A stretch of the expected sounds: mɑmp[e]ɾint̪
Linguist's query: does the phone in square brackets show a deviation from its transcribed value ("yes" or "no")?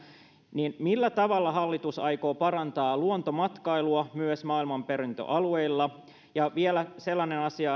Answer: no